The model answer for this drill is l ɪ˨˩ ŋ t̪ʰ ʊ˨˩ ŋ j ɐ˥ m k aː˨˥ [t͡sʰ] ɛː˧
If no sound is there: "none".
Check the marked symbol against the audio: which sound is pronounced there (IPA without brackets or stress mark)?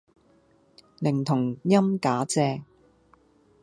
t͡s